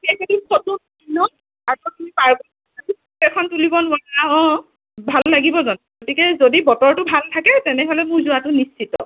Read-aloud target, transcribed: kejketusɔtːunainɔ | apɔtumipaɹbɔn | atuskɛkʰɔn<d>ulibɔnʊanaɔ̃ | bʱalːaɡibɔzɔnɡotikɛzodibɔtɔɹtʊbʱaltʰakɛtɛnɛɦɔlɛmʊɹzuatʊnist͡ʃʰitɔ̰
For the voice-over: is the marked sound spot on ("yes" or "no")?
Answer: no